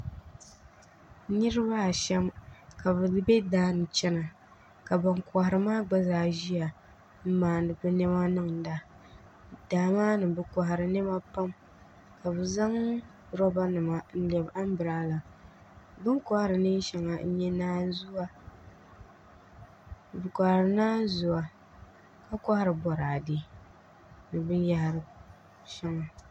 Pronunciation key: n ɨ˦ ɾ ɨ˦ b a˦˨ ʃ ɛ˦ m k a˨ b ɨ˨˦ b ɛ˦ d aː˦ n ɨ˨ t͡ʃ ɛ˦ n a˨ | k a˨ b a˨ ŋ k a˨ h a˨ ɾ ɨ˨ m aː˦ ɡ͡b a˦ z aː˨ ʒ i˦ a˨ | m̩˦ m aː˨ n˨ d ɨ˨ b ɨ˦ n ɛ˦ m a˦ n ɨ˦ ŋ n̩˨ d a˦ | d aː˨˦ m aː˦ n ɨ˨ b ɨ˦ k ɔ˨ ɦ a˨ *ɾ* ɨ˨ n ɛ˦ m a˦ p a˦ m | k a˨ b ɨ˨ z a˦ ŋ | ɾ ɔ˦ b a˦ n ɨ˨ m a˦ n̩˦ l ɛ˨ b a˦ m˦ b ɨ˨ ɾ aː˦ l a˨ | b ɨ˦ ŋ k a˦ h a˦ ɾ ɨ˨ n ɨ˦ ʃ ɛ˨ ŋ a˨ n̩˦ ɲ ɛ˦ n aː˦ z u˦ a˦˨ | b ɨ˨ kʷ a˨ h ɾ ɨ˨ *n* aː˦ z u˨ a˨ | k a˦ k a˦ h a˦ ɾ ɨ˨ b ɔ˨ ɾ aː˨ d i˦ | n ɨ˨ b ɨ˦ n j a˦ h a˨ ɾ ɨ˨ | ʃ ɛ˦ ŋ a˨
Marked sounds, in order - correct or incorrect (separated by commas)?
correct, correct